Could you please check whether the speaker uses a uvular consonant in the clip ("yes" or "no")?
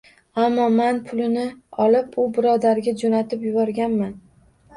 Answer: no